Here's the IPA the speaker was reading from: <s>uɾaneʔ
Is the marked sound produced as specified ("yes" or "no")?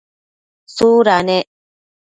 yes